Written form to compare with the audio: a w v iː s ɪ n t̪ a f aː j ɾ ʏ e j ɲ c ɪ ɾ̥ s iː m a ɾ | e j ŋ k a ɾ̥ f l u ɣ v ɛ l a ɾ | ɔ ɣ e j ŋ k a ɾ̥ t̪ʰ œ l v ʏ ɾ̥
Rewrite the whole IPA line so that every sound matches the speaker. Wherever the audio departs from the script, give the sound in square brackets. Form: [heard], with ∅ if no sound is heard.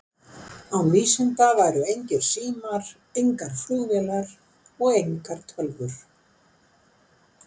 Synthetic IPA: a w v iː s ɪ n t̪ a [v] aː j ɾ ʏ e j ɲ c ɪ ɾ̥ s iː m a ɾ | e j ŋ k a ɾ̥ f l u ɣ v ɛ l a ɾ | ɔ ɣ e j ŋ k a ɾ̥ t̪ʰ œ l v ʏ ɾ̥